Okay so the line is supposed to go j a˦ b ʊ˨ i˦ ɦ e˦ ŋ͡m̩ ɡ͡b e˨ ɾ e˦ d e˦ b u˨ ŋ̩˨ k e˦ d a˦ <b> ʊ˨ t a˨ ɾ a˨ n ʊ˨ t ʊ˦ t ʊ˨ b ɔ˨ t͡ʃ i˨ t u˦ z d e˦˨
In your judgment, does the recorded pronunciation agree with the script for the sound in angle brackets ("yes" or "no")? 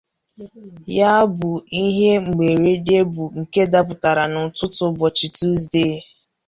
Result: no